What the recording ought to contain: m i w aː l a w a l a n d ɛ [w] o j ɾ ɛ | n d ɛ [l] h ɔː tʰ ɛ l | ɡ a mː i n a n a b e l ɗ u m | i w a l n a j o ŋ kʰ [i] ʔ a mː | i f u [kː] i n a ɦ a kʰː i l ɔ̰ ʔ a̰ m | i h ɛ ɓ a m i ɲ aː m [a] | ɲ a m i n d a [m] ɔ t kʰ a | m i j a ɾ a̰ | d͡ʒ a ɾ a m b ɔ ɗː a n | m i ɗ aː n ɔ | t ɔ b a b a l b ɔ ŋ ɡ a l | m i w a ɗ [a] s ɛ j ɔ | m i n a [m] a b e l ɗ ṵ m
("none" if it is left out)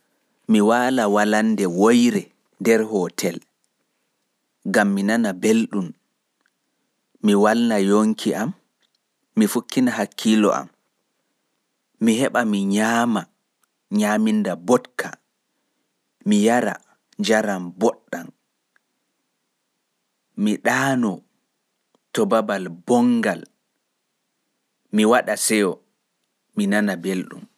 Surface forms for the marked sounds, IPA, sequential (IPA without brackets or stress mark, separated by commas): w, ɾ, i, kː, a, b, a, n